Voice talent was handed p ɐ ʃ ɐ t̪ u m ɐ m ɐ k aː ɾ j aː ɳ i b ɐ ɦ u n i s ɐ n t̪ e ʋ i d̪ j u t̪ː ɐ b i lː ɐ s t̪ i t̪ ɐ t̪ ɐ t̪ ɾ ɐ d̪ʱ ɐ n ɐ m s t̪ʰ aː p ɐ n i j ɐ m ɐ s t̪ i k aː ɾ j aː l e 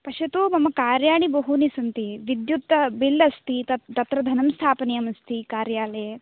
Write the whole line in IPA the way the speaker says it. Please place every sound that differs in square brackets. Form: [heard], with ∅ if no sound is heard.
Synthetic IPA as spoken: p ɐ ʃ ɐ t̪ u m ɐ m ɐ k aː ɾ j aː ɳ i b ɐ ɦ u n i s ɐ n t̪ [i] ʋ i d̪ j u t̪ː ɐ b i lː ɐ s t̪ i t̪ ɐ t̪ ɐ t̪ ɾ ɐ d̪ʱ ɐ n ɐ m s t̪ʰ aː p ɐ n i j ɐ m ɐ s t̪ i k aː ɾ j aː l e

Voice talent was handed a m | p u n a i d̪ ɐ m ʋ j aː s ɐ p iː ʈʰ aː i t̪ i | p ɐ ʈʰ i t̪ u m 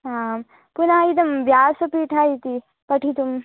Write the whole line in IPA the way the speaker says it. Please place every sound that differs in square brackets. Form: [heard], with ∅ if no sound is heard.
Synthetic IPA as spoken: a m | p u n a i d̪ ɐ m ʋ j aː s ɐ p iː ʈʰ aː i t̪ i | p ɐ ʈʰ i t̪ u m

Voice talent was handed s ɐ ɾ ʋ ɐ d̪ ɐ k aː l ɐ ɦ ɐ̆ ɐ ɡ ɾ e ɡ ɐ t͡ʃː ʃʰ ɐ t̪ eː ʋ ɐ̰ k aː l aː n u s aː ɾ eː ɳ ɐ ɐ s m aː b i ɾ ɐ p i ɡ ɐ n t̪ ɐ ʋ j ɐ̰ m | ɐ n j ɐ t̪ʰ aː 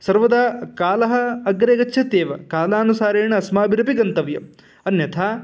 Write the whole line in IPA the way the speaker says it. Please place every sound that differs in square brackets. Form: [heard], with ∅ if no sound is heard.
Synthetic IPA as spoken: s ɐ ɾ ʋ ɐ d̪ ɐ k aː l ɐ ɦ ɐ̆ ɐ ɡ ɾ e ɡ ɐ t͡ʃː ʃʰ ɐ t̪ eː ʋ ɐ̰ k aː l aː n u s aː ɾ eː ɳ ɐ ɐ s m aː b i ɾ ɐ p i ɡ ɐ n t̪ ɐ ʋ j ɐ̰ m | ɐ n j ɐ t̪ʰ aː

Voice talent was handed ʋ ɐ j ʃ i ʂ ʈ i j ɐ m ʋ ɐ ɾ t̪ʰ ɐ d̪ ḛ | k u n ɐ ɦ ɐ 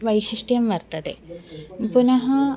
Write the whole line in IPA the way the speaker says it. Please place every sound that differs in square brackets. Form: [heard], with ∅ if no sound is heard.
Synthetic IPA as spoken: ʋ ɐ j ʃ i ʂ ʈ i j ɐ m ʋ ɐ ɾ [t̪] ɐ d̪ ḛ | [p] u n ɐ ɦ ɐ

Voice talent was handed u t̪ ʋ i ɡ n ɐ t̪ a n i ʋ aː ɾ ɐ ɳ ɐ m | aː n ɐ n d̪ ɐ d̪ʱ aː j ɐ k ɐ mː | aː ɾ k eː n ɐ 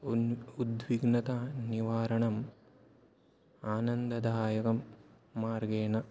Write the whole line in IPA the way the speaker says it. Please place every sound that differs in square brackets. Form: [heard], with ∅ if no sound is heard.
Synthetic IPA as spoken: u [d̪] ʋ i ɡ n ɐ t̪ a n i ʋ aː ɾ ɐ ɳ ɐ m | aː n ɐ n d̪ ɐ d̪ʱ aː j ɐ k ɐ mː | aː ɾ [ɡ] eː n ɐ

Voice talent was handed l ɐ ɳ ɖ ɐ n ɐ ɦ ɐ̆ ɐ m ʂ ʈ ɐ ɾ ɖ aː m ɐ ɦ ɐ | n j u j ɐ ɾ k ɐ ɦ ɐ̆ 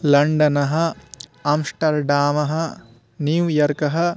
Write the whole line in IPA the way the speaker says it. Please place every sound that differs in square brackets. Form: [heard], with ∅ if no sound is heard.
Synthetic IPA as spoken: l ɐ ɳ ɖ ɐ n ɐ ɦ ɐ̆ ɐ m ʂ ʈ ɐ ɾ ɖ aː m ɐ ɦ ɐ | n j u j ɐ ɾ k ɐ ɦ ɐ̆

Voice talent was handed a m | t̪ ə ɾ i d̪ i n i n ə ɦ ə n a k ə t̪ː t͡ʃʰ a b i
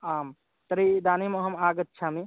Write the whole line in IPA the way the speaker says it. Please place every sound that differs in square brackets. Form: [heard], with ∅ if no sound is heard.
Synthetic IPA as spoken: a m | t̪ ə ɾ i d̪ [a] n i [m] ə ɦ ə [m] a [ɡ] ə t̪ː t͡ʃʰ a [m] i

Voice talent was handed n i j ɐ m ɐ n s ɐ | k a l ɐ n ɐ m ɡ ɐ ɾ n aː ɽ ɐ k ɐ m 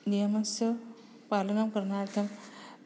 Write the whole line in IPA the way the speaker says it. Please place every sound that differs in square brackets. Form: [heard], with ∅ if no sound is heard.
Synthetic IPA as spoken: n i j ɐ m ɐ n s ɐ | [p] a l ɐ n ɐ m [k] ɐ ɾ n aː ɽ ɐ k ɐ m

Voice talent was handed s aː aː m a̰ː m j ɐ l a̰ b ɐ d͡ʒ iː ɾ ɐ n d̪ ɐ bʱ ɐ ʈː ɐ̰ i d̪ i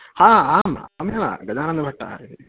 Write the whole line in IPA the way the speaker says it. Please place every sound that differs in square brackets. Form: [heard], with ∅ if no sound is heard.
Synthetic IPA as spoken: [h] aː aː m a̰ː m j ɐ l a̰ [ɡ] ɐ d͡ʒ [aː] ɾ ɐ n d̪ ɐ bʱ ɐ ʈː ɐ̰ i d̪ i

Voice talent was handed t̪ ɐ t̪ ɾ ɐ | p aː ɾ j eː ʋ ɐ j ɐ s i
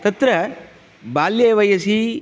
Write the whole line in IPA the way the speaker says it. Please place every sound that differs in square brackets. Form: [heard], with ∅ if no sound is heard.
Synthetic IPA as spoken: t̪ ɐ t̪ ɾ ɐ | [b] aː [l] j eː ʋ ɐ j ɐ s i

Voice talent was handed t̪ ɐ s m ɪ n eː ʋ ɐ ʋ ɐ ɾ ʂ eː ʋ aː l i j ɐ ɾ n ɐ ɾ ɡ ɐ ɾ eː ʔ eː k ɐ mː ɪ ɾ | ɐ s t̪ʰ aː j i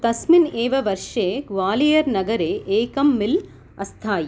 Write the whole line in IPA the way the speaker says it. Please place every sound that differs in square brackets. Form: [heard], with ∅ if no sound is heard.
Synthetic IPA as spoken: t̪ ɐ s m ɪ n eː ʋ ɐ ʋ ɐ ɾ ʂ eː ʋ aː l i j ɐ ɾ n ɐ [∅] ɡ ɐ ɾ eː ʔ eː k ɐ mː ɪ [l] | ɐ s t̪ʰ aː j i

